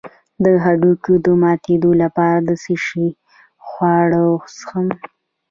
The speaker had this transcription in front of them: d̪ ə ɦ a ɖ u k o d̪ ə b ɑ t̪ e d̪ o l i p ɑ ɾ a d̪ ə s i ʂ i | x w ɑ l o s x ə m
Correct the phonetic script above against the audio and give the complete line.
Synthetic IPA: d̪ ə ɦ a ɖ u k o d̪ ə m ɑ t̪ e d̪ o l a p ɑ ɾ a d̪ ə s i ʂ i | x w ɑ ɽ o s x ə m